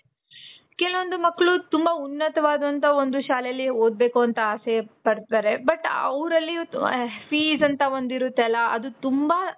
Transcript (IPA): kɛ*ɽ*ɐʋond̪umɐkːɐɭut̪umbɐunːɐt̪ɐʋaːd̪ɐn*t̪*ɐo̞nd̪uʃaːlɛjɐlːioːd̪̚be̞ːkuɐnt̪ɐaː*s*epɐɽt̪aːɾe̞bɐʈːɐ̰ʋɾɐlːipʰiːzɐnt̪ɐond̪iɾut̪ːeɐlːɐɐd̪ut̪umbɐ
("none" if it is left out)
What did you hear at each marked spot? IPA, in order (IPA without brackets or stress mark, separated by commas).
l, t̪, s